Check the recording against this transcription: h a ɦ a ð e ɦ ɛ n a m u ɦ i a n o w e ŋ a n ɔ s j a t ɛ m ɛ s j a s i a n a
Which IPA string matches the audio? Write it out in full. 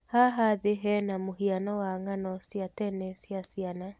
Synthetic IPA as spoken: h a ɦ a ð e ɦ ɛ n a m o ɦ i a n ɔ w a ŋ a n ɔ s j a t ɛ n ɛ s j a s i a n a